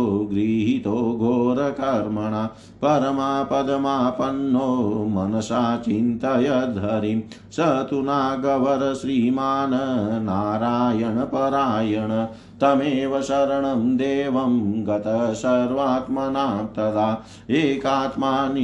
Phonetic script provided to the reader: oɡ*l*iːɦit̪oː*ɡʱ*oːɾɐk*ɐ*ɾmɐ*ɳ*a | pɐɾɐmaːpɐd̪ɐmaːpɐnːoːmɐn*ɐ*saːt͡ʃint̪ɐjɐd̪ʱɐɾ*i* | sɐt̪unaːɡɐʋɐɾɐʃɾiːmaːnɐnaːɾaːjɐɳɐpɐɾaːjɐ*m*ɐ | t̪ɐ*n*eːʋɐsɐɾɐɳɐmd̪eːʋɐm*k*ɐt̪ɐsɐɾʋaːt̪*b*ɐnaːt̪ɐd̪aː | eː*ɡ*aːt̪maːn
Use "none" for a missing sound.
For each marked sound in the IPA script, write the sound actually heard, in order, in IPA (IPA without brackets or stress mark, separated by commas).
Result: ɾ, ɡʱ, ɐ, ɳ, ɐ, i, ɳ, m, ɡ, m, k